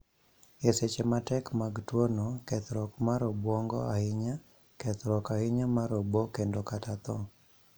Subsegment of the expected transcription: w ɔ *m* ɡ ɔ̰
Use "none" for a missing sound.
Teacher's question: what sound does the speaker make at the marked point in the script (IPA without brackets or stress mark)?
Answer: ŋ